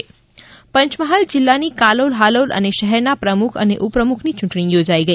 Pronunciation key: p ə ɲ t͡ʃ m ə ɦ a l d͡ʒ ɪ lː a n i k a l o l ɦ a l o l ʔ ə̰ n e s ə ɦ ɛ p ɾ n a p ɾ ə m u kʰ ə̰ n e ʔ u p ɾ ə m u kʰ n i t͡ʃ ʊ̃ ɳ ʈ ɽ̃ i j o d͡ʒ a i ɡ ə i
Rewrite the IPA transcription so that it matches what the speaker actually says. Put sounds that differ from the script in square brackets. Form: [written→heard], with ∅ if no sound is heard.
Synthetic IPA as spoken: p ə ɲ t͡ʃ m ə ɦ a l d͡ʒ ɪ lː a n i k a l o l ɦ a l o l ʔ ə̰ n e [s→ʃ] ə ɦ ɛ [p→∅] ɾ n a p ɾ ə m u kʰ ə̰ n e ʔ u p ɾ ə m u kʰ n i t͡ʃ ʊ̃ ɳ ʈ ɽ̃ i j o d͡ʒ a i ɡ ə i